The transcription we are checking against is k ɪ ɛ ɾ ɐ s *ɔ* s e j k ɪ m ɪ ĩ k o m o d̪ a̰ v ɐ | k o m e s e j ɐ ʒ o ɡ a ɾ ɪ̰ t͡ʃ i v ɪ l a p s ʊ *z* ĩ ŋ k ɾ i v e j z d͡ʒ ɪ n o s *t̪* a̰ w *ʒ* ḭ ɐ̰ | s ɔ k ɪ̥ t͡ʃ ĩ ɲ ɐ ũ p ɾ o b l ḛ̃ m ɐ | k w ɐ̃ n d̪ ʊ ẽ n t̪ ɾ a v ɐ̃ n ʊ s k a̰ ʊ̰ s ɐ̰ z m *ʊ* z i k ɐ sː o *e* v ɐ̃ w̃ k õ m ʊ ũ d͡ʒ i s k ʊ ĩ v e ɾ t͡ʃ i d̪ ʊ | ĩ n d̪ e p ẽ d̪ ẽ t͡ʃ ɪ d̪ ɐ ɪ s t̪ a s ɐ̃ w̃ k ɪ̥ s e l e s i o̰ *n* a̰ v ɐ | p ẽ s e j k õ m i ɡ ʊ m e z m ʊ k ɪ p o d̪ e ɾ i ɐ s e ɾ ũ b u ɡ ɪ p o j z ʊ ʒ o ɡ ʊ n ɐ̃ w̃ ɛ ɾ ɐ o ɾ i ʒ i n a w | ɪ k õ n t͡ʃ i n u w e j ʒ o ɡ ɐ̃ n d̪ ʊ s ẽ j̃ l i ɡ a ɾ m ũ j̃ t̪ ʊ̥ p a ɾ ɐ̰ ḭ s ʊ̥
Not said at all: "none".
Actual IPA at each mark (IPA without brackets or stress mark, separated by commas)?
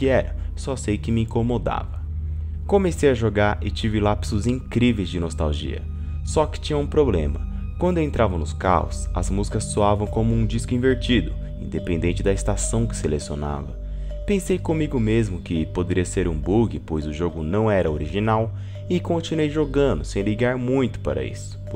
ɔ, z, t̪, ʒ, u, a, n